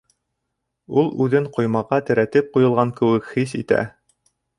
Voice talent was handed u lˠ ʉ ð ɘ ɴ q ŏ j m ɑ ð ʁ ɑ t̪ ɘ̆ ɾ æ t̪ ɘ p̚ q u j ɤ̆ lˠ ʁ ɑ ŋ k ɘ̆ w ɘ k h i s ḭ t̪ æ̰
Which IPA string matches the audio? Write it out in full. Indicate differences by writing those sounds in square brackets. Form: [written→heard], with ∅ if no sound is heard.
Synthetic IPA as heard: u lˠ ʉ ð ɘ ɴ q ŏ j m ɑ [ð→∅] ʁ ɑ t̪ ɘ̆ ɾ æ t̪ ɘ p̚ q u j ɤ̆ lˠ ʁ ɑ ŋ k ɘ̆ w ɘ k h i s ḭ t̪ æ̰